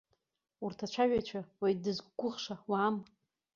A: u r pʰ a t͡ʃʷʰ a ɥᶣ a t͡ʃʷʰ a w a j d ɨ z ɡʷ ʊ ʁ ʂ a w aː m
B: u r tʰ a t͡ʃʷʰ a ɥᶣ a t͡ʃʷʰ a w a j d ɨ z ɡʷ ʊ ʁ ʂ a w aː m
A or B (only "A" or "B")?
B